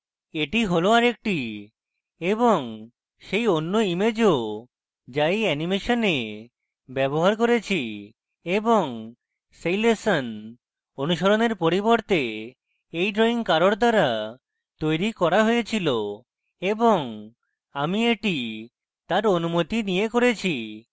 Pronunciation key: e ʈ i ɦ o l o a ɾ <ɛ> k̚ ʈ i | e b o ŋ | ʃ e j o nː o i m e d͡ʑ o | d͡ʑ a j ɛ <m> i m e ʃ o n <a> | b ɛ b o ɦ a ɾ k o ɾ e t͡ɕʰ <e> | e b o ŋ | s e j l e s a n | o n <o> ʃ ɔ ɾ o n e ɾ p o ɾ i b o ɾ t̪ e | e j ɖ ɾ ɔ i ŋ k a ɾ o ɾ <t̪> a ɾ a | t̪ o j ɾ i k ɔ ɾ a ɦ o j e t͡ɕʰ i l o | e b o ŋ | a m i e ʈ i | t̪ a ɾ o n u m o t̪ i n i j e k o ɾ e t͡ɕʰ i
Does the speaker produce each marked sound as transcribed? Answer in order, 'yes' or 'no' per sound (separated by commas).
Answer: no, no, no, no, no, no